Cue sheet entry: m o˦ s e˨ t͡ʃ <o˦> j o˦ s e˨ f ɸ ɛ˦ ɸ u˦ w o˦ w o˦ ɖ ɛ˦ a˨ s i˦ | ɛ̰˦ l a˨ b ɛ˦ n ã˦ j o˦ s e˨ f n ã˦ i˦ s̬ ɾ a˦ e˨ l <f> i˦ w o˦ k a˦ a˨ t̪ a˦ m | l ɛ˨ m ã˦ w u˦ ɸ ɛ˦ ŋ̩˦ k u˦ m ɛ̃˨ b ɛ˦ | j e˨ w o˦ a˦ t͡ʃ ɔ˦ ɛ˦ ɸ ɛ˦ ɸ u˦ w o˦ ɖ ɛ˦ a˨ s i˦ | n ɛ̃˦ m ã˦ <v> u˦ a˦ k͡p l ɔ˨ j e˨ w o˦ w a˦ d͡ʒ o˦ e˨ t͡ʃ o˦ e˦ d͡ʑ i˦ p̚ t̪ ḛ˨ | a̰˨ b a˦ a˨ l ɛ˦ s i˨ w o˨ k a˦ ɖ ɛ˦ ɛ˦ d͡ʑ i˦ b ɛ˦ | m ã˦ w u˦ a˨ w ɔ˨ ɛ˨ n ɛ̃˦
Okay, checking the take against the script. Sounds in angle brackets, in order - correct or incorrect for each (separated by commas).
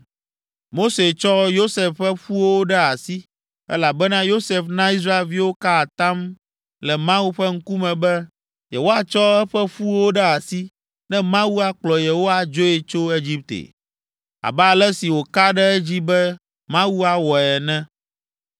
incorrect, incorrect, incorrect